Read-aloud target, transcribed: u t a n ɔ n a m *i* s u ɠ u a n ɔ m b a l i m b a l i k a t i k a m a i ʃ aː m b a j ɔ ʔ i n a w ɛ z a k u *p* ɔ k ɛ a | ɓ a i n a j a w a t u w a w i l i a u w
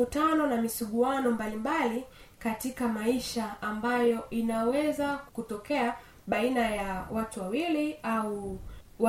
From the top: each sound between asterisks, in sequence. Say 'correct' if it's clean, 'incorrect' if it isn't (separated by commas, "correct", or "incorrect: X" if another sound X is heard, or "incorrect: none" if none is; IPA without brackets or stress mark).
correct, incorrect: t